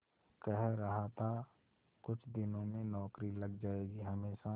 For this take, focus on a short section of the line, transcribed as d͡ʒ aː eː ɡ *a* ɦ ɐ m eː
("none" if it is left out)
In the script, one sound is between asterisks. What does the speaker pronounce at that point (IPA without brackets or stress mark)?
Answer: i